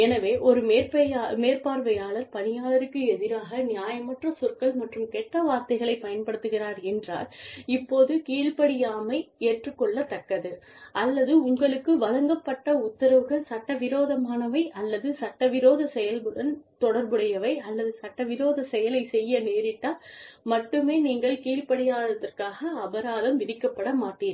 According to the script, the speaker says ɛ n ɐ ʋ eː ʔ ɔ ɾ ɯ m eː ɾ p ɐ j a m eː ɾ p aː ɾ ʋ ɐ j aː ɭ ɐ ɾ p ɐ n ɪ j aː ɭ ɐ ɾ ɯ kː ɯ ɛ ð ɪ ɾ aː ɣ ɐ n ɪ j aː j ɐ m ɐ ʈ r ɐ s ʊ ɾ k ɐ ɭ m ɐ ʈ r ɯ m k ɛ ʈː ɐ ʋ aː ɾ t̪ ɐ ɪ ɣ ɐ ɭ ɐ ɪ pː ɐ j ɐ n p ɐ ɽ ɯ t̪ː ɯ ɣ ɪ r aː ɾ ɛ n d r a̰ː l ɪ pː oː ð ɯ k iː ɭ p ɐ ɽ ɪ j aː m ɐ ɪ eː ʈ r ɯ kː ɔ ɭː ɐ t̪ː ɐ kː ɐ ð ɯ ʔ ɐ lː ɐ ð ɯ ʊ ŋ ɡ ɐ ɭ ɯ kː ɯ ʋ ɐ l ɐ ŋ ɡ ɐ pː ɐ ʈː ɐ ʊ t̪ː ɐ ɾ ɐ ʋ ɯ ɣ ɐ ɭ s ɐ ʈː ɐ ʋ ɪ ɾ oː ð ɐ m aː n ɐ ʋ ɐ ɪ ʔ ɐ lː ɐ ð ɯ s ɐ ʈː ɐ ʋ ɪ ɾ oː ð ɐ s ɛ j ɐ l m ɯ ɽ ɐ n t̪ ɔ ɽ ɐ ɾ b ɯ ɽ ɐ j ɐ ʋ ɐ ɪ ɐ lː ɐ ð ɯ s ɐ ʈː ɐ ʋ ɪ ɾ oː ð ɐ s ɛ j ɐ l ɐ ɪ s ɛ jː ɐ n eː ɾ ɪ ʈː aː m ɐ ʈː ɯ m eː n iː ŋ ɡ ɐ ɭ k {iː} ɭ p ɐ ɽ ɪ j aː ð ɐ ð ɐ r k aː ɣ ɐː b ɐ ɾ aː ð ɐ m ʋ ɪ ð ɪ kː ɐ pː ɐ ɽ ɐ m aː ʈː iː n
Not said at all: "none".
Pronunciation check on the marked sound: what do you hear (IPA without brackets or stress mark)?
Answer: iː